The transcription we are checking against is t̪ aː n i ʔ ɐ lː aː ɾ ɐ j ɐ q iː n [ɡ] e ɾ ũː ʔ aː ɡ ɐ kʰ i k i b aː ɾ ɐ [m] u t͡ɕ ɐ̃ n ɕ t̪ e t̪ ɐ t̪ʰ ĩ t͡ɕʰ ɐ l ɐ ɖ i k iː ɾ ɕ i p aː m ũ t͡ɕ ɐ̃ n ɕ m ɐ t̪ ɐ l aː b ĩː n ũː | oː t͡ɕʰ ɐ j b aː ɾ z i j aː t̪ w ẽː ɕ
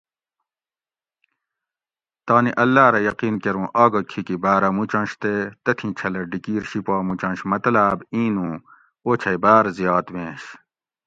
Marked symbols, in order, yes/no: no, yes

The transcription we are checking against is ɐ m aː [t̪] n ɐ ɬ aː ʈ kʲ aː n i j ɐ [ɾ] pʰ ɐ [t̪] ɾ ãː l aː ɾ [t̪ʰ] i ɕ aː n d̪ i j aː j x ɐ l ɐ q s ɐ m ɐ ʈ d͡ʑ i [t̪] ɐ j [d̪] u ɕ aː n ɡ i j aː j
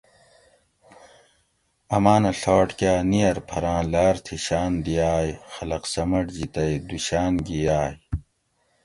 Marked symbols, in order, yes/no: no, yes, no, yes, yes, yes

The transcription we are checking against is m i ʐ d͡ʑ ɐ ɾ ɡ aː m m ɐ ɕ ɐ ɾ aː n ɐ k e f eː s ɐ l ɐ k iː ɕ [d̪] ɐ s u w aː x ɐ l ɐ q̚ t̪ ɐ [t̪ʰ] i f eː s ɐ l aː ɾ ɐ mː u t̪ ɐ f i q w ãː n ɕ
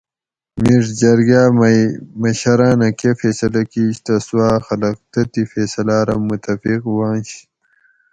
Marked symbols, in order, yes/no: no, no

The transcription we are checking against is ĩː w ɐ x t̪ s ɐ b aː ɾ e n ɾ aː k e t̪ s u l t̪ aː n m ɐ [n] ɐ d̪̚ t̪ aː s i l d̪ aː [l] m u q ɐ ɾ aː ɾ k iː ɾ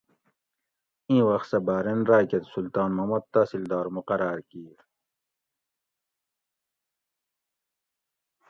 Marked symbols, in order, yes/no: no, no

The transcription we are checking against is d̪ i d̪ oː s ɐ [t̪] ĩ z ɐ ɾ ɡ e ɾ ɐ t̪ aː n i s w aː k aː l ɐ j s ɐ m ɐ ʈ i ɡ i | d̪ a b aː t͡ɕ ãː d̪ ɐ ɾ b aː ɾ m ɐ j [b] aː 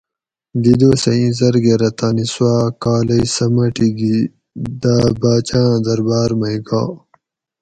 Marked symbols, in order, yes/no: no, no

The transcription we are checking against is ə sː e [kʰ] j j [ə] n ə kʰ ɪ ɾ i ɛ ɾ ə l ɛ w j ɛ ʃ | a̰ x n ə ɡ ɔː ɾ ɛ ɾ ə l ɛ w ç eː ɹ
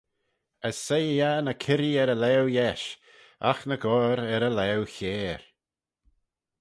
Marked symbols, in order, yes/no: no, no

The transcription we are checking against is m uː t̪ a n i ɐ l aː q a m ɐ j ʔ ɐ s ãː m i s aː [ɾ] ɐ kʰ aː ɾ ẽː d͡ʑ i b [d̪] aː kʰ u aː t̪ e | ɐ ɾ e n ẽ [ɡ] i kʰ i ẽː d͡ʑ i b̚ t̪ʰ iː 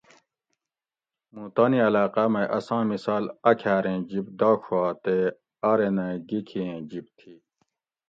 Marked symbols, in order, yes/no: no, yes, yes

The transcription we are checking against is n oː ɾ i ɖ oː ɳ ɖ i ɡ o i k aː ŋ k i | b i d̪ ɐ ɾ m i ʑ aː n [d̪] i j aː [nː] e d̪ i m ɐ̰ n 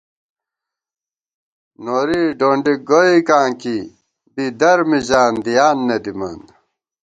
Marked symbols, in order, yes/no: yes, yes

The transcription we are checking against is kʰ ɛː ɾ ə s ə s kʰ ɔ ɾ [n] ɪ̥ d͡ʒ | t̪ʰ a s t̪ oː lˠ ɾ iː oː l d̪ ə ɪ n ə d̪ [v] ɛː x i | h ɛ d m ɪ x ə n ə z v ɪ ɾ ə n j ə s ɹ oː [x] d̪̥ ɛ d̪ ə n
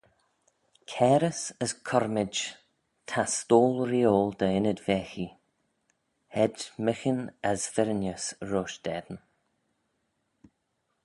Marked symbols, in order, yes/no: no, yes, no

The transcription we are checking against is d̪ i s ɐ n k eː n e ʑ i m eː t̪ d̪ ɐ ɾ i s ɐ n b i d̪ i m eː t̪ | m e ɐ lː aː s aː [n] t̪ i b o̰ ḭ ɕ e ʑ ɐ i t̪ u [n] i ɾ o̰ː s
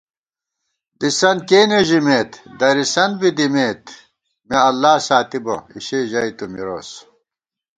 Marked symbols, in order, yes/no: no, no

